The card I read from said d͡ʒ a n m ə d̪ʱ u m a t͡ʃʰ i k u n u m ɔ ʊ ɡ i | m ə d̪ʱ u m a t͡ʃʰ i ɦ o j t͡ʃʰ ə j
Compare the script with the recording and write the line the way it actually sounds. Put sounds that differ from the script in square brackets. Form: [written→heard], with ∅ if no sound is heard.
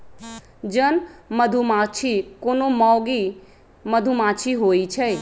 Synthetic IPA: d͡ʒ [a→ə] n m ə d̪ʱ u m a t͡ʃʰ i k [u→o] n [u→o] m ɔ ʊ ɡ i | m ə d̪ʱ u m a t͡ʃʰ i ɦ o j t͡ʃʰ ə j